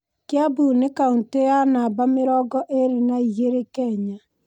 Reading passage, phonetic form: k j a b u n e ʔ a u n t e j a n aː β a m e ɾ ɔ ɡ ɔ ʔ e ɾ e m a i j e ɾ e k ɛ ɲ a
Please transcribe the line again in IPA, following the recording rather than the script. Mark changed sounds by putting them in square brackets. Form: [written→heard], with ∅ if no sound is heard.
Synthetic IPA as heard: k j a b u n e [ʔ→k] a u n t e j a n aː [β→b] a m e ɾ ɔ ɡ ɔ ʔ e ɾ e [m→n] a i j e ɾ e k ɛ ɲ a